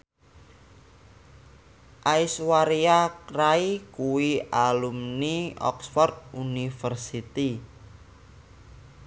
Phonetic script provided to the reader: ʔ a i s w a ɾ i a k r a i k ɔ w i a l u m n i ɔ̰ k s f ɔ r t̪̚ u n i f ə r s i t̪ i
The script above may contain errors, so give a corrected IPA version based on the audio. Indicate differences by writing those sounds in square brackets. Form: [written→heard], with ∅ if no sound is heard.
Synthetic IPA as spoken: ʔ a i s w a ɾ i a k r a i k [ɔ→u] w i a l u m n i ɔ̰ k s f ɔ r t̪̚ u n i f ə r s i t̪ i